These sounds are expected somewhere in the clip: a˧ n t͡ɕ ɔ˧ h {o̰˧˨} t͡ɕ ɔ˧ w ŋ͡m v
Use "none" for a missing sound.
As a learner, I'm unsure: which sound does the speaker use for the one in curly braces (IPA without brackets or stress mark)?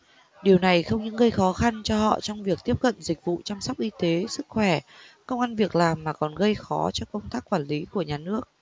ɔ̰˧˨